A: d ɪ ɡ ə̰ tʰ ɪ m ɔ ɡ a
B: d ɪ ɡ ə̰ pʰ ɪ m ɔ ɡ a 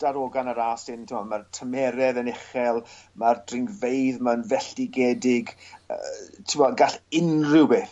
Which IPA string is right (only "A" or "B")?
A